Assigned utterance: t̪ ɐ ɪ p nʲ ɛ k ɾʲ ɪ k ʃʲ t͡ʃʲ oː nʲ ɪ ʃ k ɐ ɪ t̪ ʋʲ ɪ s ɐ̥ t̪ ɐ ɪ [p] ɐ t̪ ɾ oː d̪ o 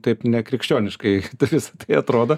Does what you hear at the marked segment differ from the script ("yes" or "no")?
yes